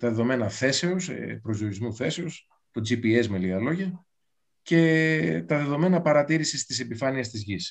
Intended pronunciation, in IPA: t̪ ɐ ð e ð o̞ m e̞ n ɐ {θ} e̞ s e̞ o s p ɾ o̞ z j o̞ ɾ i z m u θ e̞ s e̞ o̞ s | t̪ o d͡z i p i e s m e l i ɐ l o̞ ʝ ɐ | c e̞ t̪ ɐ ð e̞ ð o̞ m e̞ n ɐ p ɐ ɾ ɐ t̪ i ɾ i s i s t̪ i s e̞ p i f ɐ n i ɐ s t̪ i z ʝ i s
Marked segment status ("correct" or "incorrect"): correct